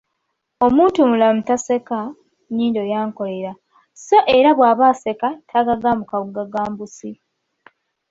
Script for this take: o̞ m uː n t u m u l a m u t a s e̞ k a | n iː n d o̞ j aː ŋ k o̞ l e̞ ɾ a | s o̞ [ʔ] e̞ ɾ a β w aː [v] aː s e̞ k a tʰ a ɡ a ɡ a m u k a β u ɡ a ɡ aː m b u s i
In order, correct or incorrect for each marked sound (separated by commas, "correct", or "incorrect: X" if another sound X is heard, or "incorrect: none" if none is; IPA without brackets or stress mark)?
correct, incorrect: β